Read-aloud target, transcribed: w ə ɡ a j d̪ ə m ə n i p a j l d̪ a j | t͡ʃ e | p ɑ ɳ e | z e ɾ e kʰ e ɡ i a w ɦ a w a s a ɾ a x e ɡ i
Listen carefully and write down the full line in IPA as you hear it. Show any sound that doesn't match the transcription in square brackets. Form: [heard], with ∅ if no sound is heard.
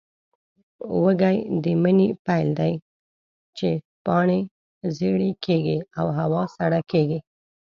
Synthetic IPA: w ə ɡ a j d̪ ə m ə n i p a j l d̪ a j | t͡ʃ e | p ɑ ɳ e | z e [ɽ] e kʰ e ɡ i a w ɦ a w [ɑ] s a [ɽ] a [k] e ɡ i